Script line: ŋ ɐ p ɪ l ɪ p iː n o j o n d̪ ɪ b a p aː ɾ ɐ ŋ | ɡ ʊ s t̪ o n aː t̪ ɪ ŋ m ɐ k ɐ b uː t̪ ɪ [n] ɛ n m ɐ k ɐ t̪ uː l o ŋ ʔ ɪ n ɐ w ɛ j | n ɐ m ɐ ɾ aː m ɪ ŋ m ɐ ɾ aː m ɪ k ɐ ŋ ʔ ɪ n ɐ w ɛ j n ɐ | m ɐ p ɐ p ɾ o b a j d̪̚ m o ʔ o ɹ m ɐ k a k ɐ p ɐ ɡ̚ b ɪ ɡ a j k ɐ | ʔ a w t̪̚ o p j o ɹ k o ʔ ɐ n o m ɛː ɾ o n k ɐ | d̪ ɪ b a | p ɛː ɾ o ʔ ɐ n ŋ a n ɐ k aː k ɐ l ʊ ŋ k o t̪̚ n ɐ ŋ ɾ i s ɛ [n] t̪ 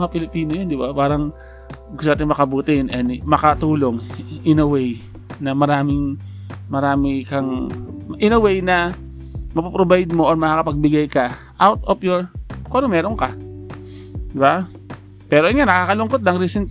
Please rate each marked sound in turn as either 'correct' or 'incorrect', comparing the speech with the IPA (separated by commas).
correct, correct